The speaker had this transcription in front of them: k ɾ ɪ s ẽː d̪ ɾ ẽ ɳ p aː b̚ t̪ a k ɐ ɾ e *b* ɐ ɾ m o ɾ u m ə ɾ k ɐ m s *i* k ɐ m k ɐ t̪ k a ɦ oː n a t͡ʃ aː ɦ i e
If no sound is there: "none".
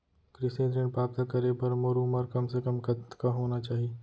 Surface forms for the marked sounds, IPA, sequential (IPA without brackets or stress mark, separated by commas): p, e